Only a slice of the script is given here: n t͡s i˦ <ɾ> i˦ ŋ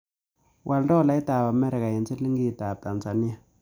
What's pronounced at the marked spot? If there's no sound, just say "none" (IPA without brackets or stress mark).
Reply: l